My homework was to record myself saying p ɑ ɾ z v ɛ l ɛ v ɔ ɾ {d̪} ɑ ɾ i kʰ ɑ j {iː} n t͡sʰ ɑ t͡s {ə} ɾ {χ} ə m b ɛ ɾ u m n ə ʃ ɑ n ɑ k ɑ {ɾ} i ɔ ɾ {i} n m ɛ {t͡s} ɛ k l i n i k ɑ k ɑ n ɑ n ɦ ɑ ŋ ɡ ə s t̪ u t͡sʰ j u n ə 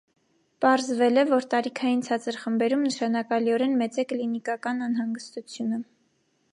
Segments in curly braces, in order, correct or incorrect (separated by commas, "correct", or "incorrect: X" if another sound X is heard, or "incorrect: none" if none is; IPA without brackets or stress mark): incorrect: t̪, incorrect: i, correct, correct, incorrect: l, incorrect: ɛ, correct